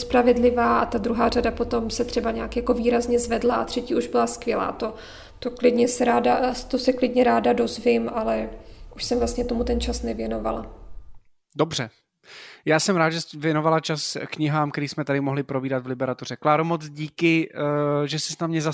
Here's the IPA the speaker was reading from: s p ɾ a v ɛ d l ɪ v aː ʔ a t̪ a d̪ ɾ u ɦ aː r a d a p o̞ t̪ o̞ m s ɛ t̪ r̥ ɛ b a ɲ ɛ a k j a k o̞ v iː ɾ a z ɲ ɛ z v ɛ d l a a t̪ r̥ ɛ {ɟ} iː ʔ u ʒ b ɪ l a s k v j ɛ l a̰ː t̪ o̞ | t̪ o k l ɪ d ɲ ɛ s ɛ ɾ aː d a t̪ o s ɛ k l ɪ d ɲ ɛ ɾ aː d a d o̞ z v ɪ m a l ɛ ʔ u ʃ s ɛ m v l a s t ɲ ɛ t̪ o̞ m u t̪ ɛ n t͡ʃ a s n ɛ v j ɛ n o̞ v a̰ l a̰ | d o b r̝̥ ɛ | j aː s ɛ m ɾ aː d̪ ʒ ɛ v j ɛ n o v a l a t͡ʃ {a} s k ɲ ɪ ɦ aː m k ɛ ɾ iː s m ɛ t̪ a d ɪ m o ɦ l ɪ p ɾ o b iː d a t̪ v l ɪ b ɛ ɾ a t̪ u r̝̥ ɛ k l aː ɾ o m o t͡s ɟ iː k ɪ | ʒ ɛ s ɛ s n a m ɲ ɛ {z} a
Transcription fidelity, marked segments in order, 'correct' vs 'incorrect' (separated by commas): incorrect, correct, correct